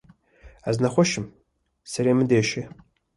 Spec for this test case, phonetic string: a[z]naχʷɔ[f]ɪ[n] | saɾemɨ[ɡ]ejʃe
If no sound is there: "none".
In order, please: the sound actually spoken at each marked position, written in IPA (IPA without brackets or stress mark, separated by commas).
z, ʃ, m, d